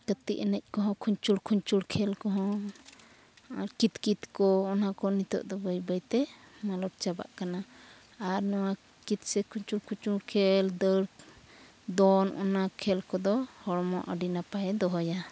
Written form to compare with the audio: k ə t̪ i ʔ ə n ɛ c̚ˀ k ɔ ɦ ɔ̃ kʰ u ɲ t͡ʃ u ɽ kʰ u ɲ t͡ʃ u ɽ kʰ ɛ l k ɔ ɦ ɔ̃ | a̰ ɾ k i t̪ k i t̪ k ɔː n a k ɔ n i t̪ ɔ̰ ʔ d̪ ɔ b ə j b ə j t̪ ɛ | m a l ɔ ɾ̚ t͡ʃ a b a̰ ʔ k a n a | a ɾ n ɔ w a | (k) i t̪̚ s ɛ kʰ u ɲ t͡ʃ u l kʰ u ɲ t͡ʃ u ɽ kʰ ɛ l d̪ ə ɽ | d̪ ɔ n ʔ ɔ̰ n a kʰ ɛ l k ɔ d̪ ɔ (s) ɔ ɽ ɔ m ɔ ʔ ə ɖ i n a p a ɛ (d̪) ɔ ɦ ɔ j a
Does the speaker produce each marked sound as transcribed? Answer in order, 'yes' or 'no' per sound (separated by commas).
yes, no, yes